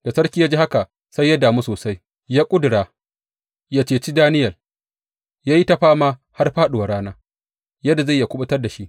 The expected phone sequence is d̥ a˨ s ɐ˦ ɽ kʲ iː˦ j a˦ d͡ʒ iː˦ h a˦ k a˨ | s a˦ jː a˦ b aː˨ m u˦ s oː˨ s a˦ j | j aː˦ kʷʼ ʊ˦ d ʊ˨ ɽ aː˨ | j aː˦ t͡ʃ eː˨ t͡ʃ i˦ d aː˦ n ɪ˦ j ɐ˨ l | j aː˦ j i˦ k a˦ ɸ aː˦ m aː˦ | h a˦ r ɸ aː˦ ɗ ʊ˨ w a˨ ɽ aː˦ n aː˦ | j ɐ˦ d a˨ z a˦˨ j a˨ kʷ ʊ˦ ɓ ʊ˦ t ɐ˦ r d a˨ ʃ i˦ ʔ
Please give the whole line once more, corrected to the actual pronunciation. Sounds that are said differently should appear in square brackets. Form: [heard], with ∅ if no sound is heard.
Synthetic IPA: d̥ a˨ s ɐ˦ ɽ kʲ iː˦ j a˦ d͡ʒ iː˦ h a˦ k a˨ | s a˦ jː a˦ [d] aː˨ m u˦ s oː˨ s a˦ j | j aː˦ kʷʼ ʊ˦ d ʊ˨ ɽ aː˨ | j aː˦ t͡ʃ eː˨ t͡ʃ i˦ d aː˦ n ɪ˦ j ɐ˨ l | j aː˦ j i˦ [t] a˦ ɸ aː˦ m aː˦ | h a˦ r ɸ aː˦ ɗ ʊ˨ w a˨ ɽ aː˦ n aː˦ | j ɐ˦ d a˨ z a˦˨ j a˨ kʷ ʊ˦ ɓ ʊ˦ t ɐ˦ r d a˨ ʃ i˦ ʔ